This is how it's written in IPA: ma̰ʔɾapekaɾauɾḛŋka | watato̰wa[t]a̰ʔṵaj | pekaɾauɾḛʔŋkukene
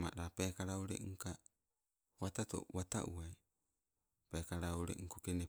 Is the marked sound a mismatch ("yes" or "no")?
no